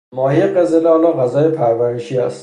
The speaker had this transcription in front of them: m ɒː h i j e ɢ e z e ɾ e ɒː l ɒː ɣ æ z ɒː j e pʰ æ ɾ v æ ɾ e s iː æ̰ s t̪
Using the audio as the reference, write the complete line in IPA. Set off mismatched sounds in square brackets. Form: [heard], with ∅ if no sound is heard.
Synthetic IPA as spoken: m ɒː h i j e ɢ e z e [l] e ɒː l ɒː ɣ æ z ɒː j e pʰ æ ɾ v æ ɾ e [ʃ] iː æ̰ s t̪